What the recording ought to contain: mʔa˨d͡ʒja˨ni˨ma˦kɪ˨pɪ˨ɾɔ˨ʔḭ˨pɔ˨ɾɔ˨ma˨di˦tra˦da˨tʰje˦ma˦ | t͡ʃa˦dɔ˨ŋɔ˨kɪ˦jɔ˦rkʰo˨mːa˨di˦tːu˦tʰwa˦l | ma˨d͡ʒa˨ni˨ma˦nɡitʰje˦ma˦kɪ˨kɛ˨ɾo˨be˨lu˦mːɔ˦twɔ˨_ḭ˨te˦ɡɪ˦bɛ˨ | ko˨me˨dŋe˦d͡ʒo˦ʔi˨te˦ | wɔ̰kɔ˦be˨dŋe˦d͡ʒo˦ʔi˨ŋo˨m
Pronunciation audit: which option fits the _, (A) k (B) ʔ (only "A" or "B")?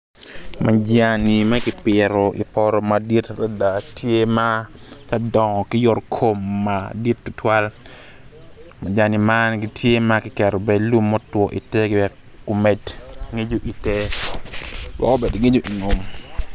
B